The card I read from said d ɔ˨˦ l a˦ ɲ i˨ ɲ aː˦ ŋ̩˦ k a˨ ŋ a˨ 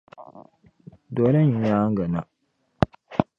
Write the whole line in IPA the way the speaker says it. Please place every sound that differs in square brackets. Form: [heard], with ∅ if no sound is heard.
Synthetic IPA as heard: d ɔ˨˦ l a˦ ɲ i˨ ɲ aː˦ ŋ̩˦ [ɡ] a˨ [n] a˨